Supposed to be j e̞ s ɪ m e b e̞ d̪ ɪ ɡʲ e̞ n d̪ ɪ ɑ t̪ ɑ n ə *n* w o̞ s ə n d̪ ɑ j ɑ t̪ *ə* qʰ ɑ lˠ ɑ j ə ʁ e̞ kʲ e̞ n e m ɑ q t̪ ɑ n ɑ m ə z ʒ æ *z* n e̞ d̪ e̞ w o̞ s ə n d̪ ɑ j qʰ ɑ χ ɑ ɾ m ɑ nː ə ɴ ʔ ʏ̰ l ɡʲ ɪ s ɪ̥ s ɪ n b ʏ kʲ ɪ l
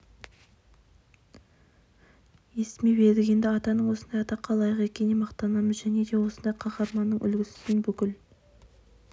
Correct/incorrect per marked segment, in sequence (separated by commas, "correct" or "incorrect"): incorrect, incorrect, incorrect